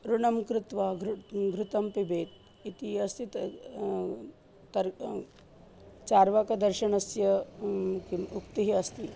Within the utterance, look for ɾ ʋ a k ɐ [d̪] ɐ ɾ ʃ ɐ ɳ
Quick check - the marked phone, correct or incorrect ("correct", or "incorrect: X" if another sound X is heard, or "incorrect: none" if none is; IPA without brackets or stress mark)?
correct